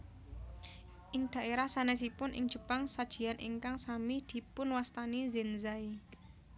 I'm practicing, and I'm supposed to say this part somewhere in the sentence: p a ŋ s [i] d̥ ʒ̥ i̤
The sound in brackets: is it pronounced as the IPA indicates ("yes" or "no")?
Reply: no